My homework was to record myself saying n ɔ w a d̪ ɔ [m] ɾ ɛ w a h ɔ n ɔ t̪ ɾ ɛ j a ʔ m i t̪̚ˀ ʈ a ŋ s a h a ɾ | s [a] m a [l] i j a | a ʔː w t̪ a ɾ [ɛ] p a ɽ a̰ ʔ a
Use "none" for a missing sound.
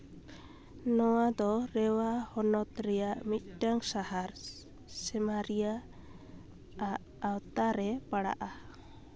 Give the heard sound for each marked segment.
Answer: none, ɛ, ɾ, ɛ

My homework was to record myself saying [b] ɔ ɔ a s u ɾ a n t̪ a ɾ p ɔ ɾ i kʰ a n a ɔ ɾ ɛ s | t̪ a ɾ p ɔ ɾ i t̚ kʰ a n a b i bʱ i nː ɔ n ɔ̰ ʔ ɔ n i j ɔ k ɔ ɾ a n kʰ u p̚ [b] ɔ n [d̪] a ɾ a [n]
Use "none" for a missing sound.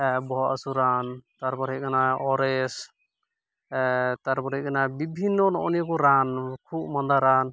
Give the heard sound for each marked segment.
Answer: b, m, d̪, n

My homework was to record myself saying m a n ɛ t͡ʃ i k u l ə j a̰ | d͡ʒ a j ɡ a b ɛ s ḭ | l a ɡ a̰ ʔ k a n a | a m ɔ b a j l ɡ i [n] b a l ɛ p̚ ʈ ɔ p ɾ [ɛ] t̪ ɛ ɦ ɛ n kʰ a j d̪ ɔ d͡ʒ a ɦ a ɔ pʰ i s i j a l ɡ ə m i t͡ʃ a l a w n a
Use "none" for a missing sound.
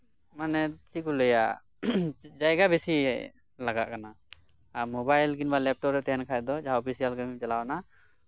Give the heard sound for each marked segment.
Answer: n, ɛ

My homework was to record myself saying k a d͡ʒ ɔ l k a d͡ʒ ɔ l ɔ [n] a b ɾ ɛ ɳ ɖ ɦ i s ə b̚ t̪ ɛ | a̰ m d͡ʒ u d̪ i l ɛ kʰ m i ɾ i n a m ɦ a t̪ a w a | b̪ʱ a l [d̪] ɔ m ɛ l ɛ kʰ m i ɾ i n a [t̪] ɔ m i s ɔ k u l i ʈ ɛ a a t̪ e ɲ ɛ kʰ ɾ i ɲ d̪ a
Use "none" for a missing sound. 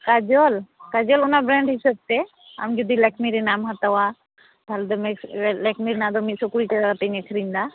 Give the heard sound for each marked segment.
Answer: n, d̪, d̪

